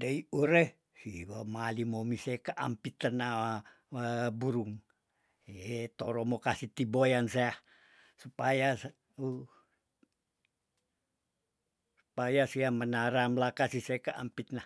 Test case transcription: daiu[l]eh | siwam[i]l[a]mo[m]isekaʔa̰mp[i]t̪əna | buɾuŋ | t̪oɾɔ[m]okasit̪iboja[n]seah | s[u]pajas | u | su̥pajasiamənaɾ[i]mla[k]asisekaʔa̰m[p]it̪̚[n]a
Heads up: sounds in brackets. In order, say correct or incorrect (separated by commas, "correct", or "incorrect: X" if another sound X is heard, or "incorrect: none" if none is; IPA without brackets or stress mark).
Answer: incorrect: ɾ, incorrect: a, incorrect: i, correct, correct, correct, correct, correct, incorrect: a, correct, correct, correct